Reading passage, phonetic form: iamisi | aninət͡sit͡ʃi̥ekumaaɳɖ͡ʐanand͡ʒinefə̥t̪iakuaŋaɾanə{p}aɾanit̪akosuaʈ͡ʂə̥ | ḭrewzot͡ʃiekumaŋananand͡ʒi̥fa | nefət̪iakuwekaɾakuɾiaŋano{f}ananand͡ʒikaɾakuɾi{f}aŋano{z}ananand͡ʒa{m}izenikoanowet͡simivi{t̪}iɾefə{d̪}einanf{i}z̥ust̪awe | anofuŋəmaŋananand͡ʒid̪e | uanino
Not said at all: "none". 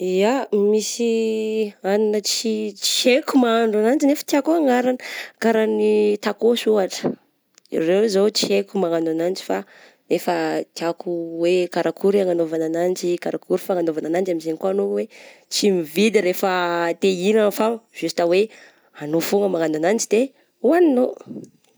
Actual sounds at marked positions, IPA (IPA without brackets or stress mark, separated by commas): k, v, f, v, m, d̪, t̪, a